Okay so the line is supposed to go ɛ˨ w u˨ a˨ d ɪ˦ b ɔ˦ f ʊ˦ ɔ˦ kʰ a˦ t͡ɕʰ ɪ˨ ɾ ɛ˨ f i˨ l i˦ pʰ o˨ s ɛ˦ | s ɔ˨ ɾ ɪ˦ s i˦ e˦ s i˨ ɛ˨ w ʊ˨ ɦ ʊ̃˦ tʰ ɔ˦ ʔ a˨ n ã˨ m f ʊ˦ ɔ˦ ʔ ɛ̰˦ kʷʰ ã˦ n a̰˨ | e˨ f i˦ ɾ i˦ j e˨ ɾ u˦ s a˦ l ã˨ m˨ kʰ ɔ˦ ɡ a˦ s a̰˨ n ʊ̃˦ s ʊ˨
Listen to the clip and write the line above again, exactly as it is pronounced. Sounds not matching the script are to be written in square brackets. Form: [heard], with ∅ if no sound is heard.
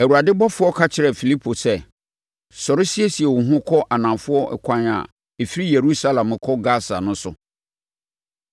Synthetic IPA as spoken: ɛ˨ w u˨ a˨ d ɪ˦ b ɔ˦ f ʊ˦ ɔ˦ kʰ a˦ t͡ɕʰ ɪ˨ ɾ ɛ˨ f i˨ l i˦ pʰ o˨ s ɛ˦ | s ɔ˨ ɾ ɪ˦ s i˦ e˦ s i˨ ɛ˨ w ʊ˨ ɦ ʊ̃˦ [kʰ] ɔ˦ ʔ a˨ n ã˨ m f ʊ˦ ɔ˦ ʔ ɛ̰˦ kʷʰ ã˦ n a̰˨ | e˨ f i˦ ɾ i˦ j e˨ ɾ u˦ s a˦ l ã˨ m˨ kʰ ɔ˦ ɡ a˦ s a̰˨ n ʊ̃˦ s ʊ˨